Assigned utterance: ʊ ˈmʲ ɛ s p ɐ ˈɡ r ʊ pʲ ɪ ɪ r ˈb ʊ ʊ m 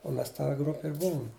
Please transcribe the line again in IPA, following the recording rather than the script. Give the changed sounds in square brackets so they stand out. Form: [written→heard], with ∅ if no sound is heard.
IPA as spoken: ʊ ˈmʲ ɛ s [p→t] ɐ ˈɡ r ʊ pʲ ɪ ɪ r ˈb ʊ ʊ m